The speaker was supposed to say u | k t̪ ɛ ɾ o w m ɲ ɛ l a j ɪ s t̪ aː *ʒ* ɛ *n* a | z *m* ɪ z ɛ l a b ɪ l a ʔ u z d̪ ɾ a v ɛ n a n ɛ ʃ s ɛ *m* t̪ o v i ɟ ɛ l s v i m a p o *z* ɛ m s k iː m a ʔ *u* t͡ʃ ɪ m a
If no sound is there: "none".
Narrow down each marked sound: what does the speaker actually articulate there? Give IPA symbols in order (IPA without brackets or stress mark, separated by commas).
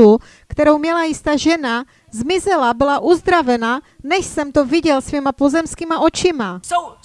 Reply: ʒ, n, m, m, z, o